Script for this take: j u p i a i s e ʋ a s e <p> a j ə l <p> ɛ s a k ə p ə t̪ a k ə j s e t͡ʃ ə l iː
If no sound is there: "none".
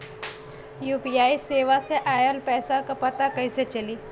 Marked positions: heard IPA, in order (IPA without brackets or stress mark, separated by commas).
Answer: ʔ, p